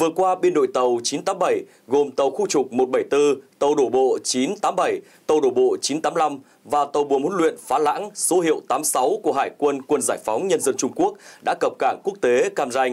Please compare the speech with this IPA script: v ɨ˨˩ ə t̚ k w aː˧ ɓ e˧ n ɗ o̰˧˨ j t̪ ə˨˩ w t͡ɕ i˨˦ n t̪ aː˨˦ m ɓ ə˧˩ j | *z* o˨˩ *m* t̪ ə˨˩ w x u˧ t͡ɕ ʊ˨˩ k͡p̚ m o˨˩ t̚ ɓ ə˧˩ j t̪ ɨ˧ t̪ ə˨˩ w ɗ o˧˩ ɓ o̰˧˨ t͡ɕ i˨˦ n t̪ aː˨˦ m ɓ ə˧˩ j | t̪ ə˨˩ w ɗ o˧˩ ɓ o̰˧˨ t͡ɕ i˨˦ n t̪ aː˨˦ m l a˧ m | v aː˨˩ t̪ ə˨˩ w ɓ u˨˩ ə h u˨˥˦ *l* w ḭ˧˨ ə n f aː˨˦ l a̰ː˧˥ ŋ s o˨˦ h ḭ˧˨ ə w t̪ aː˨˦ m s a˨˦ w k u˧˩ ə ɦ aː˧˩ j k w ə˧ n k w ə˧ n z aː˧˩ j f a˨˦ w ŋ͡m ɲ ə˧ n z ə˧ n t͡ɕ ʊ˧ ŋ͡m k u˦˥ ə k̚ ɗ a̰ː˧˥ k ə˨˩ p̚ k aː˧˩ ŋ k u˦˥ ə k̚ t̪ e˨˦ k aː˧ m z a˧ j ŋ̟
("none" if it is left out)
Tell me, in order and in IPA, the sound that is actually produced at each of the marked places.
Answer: ɣ, m, l

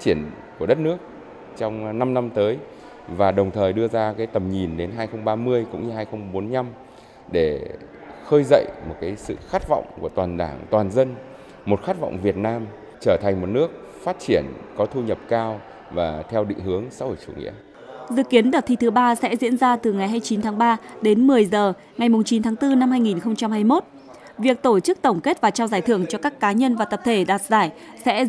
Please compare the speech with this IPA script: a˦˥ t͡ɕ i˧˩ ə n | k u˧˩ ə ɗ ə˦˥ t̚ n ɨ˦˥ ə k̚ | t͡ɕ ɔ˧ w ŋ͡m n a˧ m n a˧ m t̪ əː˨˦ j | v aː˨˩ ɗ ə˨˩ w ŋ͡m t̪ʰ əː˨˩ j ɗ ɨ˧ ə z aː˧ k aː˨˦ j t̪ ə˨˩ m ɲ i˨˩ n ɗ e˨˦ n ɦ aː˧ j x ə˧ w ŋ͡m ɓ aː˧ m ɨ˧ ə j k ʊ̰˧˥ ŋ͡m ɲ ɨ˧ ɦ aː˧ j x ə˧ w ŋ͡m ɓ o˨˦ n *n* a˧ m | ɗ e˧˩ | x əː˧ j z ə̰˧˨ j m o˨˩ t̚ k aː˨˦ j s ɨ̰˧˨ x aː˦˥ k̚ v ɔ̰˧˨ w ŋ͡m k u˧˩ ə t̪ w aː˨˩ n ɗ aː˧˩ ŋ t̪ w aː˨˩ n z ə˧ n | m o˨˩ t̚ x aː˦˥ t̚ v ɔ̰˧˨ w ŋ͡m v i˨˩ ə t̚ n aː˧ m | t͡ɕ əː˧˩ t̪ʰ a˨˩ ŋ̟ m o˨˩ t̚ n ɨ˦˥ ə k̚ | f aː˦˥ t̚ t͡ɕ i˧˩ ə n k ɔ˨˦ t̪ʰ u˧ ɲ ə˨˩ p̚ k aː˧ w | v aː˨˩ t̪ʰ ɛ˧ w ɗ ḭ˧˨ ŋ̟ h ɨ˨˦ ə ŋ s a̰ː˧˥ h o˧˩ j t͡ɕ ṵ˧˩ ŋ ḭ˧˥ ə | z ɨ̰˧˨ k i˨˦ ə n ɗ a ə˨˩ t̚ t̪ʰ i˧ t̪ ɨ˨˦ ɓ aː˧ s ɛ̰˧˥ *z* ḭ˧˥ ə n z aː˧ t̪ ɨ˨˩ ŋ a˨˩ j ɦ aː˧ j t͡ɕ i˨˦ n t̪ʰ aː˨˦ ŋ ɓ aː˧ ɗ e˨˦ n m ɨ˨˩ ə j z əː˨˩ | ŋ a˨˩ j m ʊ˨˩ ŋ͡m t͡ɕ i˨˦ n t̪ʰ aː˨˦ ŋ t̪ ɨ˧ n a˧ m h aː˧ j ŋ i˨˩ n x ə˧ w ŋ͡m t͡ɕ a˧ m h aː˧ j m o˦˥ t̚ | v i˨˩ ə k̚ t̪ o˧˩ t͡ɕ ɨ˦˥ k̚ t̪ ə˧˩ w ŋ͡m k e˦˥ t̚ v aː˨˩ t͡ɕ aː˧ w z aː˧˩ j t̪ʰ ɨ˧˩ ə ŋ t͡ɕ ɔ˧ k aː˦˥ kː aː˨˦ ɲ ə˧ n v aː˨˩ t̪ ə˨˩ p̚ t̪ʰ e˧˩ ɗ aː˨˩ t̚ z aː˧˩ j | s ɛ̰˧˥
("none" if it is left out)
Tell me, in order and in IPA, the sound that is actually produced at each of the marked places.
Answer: ɲ, z

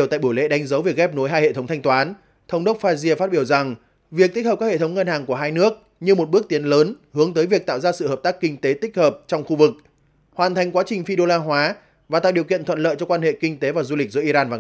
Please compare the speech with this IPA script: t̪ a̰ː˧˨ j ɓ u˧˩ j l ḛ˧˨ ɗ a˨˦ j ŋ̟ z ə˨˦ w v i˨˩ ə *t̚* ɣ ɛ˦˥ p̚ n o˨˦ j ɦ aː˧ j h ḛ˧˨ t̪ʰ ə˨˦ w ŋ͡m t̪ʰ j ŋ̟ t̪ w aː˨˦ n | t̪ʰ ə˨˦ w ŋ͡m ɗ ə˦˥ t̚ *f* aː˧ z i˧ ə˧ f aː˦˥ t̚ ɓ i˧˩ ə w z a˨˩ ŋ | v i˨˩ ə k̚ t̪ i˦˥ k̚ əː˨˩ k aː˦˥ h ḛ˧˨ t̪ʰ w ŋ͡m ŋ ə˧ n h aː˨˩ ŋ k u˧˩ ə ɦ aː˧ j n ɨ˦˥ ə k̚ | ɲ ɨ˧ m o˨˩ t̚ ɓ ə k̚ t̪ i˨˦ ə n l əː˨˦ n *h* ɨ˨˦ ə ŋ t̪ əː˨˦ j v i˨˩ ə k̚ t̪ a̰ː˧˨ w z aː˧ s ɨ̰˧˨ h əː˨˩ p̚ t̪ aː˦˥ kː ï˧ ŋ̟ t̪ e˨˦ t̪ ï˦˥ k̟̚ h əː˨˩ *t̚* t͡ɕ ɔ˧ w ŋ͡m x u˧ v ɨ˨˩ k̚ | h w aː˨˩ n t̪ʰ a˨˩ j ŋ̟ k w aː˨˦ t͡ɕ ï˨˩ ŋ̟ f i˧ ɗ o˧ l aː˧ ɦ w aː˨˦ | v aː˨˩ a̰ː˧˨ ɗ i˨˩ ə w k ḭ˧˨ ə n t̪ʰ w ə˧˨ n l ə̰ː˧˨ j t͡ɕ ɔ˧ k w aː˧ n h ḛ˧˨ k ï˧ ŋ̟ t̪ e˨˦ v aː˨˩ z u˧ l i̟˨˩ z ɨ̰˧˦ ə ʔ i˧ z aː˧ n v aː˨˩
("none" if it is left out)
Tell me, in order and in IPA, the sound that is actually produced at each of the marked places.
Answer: k̚, f, h, p̚

